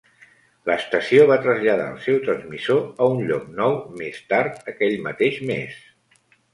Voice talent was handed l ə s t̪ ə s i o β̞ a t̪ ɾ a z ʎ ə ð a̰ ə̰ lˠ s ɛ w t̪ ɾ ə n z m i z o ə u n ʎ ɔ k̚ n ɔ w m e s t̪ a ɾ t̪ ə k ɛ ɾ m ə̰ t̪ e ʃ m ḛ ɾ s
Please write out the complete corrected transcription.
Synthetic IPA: l ə s t̪ ə s i o β̞ a t̪ ɾ ə z ʎ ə ð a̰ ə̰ lˠ s ɛ w t̪ ɾ ə n z m i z o ə u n ʎ ɔ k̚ n ɔ w m e s t̪ a ɾ t̪ ə k ɛ ʎ m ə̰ t̪ e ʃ m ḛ s